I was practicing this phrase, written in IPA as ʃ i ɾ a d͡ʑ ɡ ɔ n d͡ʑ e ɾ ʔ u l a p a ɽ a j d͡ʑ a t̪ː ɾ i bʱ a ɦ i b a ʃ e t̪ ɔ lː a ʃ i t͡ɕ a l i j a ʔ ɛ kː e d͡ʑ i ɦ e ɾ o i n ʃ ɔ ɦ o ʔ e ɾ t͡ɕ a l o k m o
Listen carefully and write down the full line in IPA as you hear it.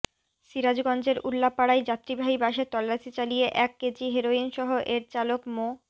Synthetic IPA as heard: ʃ i ɾ a d͡ʑ ɡ ɔ n d͡ʑ e ɾ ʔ u lː a p a ɽ a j d͡ʑ a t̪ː ɾ i bʱ a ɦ i b a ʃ e t̪ ɔ lː a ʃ i t͡ɕ a l i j e ʔ ɛ kː e d͡ʑ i ɦ e ɾ o i n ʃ ɔ ɦ o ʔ e ɾ t͡ɕ a l o k m o